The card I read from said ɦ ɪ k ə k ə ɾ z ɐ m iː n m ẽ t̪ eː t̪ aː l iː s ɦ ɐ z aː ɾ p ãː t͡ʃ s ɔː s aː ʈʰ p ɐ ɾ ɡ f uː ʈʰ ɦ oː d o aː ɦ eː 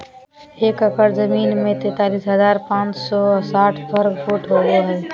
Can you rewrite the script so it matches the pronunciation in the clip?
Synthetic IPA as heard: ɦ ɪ k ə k ə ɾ z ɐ m iː n m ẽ t̪ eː t̪ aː l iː s ɦ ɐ z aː ɾ p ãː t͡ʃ s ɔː s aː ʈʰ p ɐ ɾ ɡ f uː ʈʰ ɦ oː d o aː ɦ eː